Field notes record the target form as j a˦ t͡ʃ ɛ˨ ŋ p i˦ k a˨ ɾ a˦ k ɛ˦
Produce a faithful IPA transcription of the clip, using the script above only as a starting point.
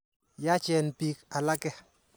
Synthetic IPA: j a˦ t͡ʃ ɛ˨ n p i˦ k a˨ l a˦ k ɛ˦

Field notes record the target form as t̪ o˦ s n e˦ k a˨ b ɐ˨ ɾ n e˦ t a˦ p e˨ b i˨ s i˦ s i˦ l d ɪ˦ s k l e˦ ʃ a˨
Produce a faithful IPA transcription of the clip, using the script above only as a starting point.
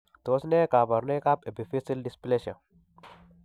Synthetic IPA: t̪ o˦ s n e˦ k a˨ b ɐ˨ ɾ n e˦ k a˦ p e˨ b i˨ f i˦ s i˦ l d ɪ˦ s p l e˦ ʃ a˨

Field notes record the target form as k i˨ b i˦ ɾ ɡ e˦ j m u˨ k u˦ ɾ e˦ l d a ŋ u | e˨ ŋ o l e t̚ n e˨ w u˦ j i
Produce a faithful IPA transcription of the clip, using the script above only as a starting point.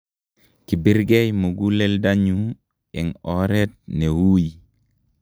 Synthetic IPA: k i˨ b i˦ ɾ ɡ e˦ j m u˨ ɡ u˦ l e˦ l d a ɲ u | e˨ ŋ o ɾ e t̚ n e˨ w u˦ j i

